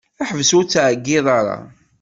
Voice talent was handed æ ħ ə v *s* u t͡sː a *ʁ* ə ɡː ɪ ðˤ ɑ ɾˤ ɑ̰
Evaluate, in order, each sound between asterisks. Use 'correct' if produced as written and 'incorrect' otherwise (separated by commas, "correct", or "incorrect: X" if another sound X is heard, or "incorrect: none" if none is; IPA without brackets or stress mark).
correct, incorrect: ʕ